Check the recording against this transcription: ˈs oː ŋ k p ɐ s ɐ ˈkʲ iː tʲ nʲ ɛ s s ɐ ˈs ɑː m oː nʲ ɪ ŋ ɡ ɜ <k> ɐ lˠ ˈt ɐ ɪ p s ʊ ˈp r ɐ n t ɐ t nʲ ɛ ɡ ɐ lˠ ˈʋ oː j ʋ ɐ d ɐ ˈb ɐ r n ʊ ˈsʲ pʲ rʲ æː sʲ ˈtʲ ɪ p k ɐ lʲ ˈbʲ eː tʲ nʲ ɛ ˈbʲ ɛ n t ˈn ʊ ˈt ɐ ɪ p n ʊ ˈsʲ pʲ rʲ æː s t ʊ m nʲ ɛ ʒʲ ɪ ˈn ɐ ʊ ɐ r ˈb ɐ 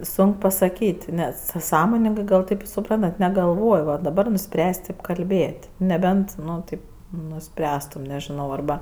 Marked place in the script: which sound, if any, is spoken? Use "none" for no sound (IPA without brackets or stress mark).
ɡ